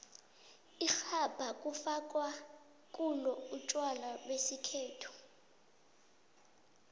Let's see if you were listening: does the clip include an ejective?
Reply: yes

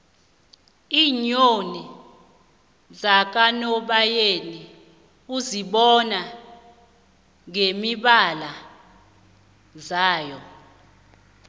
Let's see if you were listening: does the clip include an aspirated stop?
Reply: no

